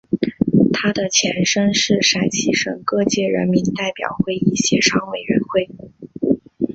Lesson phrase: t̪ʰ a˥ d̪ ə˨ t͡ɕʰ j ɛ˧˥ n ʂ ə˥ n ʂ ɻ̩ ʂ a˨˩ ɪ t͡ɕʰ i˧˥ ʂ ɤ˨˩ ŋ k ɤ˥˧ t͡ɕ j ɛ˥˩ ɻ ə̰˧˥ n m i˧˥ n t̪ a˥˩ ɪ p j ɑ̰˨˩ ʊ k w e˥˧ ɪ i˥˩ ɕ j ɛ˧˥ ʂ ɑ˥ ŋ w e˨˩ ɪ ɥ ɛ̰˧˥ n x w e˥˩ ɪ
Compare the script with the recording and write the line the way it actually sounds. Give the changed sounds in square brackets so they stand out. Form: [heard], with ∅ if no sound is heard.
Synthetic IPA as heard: t̪ʰ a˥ d̪ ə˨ t͡ɕʰ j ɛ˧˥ n ʂ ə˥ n ʂ ɻ̩ ʂ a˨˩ ɪ t͡ɕʰ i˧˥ ʂ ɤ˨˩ ŋ k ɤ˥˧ t͡ɕ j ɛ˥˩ ɻ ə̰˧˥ n m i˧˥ n t̪ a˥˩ ɪ p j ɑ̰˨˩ ʊ [x] w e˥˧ ɪ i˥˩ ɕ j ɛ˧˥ ʂ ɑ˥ ŋ w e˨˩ ɪ ɥ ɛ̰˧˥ n x w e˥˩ ɪ